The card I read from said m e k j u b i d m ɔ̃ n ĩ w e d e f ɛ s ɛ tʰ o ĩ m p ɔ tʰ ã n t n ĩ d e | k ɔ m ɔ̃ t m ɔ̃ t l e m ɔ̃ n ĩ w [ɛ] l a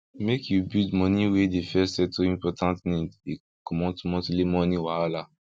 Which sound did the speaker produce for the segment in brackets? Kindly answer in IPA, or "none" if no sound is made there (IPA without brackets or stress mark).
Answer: a